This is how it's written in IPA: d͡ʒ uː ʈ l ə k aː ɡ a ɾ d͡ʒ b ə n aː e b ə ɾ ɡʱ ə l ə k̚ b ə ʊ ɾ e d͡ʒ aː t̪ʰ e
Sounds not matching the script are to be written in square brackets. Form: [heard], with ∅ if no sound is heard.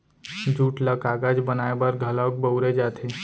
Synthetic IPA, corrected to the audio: d͡ʒ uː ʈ l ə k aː ɡ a [∅] d͡ʒ b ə n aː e b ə ɾ ɡʱ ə l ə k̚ b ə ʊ ɾ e d͡ʒ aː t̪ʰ e